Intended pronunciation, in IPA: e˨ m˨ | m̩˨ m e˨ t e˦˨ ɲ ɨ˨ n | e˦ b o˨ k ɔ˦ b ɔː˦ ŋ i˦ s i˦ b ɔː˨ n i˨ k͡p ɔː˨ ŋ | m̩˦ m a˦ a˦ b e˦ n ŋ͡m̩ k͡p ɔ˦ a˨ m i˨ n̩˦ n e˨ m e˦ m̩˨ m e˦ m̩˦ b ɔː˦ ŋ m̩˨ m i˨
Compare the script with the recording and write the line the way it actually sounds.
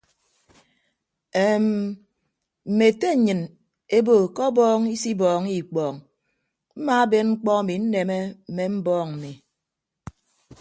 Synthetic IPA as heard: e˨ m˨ | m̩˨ m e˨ t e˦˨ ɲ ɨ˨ n | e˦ b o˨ k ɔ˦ b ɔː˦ ŋ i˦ s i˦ b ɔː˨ ŋ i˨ k͡p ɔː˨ ŋ | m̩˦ m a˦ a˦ b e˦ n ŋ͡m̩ k͡p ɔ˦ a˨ m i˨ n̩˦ n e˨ m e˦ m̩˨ m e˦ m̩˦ b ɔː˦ ŋ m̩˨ m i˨